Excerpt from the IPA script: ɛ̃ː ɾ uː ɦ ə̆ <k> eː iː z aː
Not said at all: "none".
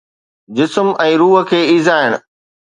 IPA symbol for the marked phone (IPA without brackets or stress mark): kʰ